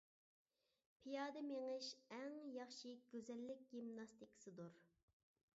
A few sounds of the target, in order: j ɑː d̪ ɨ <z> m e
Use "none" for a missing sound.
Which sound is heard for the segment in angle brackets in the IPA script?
none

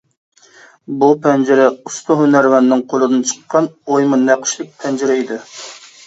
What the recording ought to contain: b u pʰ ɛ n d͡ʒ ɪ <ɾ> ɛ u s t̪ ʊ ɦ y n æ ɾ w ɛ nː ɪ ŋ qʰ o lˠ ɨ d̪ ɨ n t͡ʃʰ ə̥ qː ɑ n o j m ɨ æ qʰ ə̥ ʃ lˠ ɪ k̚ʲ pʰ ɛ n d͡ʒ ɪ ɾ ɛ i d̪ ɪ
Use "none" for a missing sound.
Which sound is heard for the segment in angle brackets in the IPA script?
ɾ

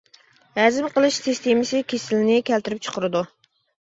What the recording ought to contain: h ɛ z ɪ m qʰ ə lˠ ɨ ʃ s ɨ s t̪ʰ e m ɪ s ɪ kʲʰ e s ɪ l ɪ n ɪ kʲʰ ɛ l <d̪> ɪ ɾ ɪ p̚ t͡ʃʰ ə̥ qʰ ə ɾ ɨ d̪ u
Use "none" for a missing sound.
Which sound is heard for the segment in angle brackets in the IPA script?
t̪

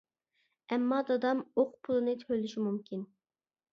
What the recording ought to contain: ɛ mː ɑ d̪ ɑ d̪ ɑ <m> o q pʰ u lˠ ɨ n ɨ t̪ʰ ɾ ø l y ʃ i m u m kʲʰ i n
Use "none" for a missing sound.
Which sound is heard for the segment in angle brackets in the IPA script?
m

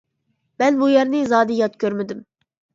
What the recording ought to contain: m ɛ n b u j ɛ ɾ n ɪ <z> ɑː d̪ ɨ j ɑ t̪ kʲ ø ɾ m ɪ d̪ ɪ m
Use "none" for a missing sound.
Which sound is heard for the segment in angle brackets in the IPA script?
z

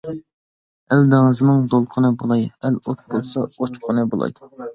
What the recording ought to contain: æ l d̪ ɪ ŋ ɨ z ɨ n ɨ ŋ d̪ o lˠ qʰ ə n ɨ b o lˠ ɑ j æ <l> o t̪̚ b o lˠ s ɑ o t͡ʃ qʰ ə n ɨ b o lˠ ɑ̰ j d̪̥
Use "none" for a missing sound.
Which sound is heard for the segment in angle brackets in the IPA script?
l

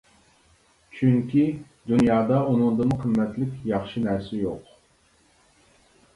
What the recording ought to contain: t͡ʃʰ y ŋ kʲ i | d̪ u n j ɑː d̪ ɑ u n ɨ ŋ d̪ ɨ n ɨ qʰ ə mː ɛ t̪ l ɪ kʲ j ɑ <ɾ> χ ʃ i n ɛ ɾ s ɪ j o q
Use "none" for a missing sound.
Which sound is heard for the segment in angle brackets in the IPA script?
none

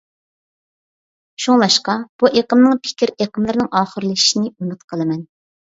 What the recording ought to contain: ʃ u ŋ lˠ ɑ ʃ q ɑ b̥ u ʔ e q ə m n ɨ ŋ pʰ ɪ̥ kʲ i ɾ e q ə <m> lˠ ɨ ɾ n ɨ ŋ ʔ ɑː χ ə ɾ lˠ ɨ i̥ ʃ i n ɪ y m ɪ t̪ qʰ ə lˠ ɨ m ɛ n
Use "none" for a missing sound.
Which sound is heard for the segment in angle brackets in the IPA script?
m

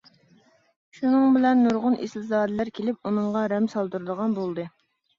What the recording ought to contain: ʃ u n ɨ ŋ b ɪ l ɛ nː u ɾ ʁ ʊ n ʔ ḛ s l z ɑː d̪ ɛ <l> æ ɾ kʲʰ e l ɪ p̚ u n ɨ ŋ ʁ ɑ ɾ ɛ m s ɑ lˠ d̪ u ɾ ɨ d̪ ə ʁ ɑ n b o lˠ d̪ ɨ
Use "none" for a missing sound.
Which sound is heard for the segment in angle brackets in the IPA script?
l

